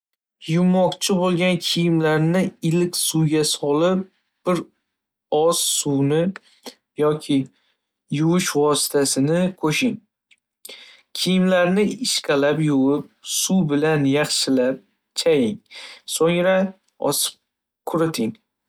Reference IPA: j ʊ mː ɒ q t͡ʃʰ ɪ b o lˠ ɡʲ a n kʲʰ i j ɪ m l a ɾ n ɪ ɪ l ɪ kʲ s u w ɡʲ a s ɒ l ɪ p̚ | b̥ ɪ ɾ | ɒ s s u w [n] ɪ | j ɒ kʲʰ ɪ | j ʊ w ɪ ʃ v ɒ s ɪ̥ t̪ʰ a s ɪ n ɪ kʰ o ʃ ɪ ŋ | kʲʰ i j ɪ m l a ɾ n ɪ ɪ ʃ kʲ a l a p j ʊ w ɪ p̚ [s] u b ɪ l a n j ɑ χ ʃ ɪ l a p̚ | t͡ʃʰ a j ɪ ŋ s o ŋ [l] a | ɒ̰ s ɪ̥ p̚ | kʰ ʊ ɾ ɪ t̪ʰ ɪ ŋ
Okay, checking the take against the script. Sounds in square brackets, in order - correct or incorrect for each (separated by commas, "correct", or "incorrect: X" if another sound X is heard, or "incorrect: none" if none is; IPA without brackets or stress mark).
correct, correct, incorrect: ɾ